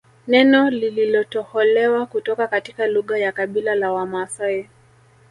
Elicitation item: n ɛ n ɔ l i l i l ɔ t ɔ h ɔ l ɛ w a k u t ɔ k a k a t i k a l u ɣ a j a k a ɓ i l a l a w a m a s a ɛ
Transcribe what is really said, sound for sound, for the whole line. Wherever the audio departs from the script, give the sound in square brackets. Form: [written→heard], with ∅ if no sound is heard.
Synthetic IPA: n ɛ n ɔ l i l i l ɔ t ɔ h ɔ l ɛ w a k u t ɔ k a k a t i k a l u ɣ a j a k a ɓ i l a l a w a m a s a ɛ

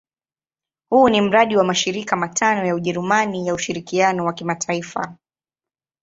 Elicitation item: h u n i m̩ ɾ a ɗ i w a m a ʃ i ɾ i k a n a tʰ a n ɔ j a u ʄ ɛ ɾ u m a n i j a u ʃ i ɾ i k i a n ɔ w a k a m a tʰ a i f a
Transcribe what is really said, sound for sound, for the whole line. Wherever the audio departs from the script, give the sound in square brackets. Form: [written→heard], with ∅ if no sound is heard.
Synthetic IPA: h u n i m̩ ɾ a ɗ i w a m a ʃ i ɾ i k a [n→m] a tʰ a n ɔ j a u ʄ ɛ ɾ u m a n i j a u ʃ i ɾ i k i a n ɔ w a k [a→i] m a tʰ a i f a

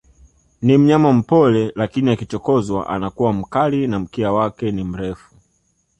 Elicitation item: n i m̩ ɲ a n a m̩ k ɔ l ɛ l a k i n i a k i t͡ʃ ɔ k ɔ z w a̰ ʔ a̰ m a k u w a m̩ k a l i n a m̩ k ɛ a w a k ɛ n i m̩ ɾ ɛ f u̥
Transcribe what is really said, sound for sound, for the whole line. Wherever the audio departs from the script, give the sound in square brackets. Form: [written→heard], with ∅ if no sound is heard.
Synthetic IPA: n i m̩ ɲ a [n→m] a m̩ [k→p] ɔ l ɛ l a k i n i a k i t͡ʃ ɔ k ɔ z w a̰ ʔ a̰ [m→n] a k u w a m̩ k a l i n a m̩ k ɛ a w a k ɛ n i m̩ ɾ ɛ f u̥

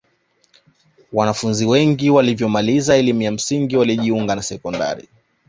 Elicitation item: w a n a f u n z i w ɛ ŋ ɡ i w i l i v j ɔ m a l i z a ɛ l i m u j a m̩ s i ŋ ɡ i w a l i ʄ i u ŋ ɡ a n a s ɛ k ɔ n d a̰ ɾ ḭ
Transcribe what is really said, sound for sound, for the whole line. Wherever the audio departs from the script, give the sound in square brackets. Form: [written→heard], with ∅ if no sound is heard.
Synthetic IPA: w a n a f u n z i w ɛ ŋ ɡ i w [i→a] l i v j ɔ m a l i z a ɛ l i m u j a m̩ s i ŋ ɡ i w a l i ʄ i u ŋ ɡ a n a s ɛ k ɔ n d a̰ ɾ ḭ

